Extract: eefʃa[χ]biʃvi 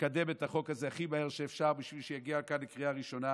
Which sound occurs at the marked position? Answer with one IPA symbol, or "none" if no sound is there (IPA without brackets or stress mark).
ʁ